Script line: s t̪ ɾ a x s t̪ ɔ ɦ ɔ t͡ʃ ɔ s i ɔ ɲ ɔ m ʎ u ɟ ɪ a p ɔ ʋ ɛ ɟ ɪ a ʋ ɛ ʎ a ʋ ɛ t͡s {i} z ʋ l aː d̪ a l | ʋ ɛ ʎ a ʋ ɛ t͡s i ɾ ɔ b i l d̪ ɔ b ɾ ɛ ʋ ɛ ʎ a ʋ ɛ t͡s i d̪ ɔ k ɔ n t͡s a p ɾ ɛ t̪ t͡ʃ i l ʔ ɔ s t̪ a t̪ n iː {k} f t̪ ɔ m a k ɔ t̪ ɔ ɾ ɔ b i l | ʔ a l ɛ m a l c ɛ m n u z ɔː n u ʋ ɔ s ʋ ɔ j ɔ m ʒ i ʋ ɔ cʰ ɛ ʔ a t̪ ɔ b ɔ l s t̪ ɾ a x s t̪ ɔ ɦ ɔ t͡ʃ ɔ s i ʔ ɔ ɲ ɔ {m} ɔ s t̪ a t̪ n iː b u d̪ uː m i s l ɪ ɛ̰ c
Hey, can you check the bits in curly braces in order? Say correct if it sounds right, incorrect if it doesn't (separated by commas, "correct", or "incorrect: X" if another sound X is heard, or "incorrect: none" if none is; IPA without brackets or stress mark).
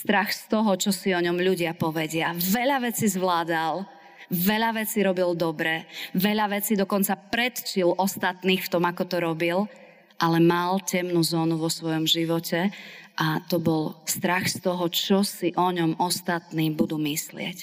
correct, incorrect: x, correct